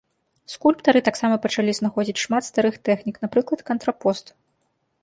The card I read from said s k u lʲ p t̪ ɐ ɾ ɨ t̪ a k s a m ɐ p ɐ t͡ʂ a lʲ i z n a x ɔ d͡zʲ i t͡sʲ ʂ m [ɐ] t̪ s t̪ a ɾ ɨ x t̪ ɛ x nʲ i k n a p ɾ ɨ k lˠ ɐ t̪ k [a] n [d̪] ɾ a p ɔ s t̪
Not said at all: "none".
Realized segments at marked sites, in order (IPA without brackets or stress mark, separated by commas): a, ɐ, t̪